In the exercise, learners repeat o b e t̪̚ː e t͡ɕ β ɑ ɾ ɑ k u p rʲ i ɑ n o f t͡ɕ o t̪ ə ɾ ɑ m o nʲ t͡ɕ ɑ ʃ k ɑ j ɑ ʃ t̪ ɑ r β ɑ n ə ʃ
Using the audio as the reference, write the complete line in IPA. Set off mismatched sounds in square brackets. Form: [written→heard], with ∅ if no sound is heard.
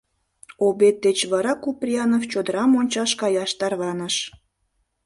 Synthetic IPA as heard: o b e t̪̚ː e t͡ɕ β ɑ ɾ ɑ k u p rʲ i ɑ n o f t͡ɕ o [t̪→d̪] ə ɾ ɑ m o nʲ t͡ɕ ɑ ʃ k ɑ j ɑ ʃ t̪ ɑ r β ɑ n ə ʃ